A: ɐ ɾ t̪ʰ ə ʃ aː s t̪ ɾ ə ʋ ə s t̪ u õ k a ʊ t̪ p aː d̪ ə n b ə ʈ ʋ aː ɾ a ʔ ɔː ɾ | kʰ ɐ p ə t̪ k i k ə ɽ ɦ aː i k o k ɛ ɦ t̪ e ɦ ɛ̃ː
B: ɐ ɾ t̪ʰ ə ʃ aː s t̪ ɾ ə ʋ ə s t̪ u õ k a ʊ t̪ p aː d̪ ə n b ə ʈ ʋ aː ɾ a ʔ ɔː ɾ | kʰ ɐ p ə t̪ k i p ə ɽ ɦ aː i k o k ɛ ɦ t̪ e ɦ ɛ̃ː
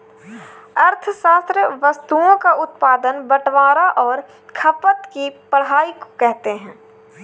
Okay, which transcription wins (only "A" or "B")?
B